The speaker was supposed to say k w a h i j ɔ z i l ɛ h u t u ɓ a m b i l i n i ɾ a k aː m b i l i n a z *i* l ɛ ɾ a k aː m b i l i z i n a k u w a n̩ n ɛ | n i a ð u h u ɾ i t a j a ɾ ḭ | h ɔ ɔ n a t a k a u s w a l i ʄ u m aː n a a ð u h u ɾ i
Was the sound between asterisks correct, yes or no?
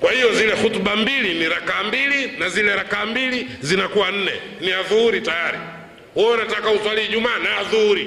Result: yes